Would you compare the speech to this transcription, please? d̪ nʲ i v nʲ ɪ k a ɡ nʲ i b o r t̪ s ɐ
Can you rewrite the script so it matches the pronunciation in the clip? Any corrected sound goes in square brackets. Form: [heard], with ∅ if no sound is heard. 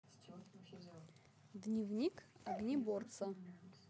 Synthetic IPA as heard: d̪ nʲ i v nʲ [i] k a ɡ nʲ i b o r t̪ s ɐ